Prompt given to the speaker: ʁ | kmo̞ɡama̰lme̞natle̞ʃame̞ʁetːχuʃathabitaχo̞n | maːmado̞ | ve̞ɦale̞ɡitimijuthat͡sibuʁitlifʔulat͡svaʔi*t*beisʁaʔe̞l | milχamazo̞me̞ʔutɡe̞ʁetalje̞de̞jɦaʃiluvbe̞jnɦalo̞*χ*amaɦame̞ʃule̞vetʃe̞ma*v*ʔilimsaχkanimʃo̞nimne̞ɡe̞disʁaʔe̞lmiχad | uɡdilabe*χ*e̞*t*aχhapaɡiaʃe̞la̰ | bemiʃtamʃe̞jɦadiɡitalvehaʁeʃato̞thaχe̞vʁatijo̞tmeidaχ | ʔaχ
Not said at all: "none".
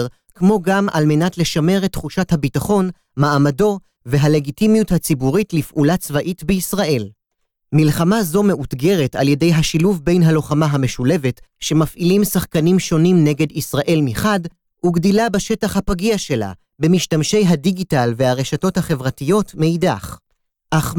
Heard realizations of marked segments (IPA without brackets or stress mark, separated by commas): t, χ, f, ʃ, t